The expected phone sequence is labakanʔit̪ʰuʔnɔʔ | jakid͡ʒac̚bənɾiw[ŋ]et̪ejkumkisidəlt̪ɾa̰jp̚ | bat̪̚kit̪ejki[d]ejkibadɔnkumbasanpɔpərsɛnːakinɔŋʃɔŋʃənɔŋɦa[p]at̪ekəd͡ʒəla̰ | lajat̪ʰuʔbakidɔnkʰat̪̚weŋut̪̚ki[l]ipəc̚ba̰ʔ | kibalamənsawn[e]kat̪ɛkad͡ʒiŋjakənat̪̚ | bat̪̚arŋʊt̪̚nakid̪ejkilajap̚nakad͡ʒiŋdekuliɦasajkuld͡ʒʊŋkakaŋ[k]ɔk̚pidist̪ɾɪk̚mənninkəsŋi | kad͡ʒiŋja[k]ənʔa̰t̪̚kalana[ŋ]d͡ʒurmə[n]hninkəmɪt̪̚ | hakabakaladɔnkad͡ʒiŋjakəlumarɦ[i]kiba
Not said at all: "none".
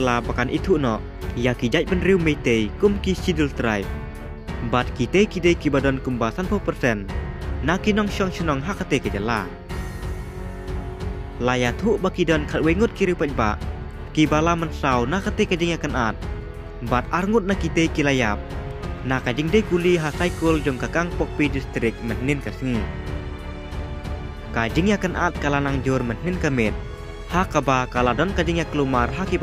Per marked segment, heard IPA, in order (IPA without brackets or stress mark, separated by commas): m, d, k, ɾ, a, p, k, ŋ, n, a